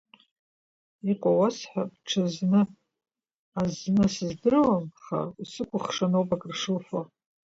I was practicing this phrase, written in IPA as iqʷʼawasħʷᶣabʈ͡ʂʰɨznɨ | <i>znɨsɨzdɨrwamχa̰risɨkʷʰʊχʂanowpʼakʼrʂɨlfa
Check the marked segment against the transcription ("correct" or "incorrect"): incorrect